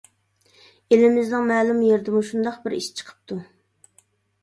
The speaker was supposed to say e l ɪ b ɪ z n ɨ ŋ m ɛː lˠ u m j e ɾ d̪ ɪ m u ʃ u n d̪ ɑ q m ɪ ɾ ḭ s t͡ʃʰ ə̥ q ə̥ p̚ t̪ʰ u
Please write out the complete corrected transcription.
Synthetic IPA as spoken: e l ɪ m ɪ z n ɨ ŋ m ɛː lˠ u m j e ɾ d̪ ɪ m u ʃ u n d̪ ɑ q b ɪ ɾ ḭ ʃ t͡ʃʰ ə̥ qʰ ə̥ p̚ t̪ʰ u